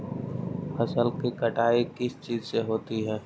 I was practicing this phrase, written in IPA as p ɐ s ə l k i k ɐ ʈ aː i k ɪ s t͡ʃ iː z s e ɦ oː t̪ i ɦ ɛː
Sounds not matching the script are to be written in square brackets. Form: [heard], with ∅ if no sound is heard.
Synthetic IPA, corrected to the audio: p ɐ s ə l k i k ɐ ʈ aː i k ɪ s t͡ʃ iː z s e ɦ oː t̪ i ɦ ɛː